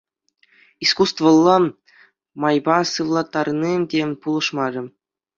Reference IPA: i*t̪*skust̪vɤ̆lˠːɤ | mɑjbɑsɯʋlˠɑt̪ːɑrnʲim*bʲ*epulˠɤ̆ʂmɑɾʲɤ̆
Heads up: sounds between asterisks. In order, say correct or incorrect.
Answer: incorrect: none, incorrect: dʲ

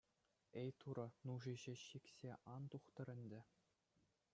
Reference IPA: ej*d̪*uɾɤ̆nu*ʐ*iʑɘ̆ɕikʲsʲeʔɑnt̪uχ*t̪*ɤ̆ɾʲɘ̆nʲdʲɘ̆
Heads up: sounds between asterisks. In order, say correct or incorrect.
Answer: incorrect: t̪, correct, correct

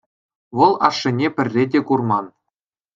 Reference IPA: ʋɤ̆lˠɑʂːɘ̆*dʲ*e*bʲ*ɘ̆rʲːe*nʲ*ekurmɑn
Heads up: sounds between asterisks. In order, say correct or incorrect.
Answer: incorrect: nʲ, incorrect: pʲ, incorrect: dʲ

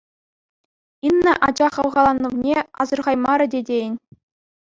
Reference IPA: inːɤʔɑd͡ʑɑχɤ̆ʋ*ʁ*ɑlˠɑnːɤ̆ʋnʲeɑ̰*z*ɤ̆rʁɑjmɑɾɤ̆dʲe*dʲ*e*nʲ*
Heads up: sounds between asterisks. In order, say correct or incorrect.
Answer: correct, correct, correct, correct

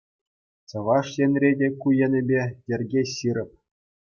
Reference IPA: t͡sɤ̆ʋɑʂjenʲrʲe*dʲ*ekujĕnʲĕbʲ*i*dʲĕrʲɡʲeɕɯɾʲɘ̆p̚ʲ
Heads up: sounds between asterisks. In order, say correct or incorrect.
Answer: correct, incorrect: e

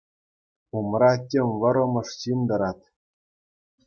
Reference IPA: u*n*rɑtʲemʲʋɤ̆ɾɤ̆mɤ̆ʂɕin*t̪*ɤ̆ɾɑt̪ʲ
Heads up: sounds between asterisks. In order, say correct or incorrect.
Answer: incorrect: m, incorrect: d̪

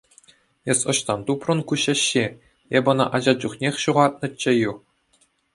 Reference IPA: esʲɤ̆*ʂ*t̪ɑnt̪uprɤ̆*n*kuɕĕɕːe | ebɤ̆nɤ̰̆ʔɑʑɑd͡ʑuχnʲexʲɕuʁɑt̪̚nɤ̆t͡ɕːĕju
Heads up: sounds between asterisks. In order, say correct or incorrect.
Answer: incorrect: ɕ, correct

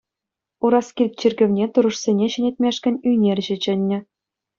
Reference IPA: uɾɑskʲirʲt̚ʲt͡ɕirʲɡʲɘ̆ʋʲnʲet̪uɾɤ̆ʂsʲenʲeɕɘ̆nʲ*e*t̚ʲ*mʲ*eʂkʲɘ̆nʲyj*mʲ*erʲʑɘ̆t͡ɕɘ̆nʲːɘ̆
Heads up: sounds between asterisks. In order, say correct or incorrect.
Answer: correct, correct, incorrect: nʲ

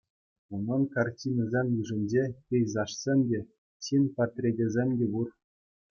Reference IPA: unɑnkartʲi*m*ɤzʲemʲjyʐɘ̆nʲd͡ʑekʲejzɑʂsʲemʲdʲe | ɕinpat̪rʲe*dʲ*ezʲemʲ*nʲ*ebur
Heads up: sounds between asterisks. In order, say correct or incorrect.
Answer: incorrect: n, correct, incorrect: dʲ

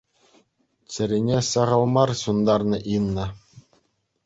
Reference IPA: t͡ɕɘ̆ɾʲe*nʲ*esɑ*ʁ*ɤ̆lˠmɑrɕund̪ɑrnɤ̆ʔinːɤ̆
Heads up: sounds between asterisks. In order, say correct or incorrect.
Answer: correct, correct

